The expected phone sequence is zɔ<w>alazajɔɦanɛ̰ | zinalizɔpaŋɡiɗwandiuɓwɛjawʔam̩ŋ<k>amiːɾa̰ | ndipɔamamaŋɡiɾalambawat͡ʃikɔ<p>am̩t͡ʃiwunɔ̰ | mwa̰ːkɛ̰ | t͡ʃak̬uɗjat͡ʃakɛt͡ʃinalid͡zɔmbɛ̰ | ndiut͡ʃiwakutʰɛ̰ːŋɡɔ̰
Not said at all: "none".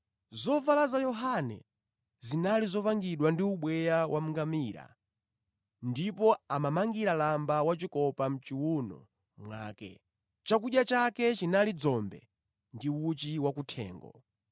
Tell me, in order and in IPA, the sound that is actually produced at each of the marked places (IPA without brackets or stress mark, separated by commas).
v, ɡ, p